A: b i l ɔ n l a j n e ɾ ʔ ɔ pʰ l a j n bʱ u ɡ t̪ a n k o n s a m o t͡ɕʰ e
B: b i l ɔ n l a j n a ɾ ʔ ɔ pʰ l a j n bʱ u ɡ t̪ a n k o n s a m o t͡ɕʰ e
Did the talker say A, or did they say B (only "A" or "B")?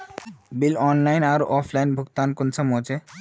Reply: B